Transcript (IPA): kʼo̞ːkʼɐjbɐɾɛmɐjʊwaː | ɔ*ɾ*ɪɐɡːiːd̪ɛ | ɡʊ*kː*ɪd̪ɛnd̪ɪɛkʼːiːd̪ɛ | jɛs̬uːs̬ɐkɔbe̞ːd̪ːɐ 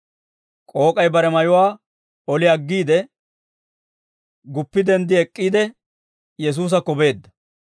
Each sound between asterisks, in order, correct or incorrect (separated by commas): incorrect, incorrect